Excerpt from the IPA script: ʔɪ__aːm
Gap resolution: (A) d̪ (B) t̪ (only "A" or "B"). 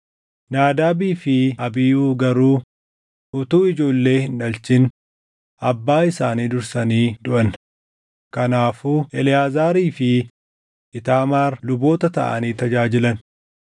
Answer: B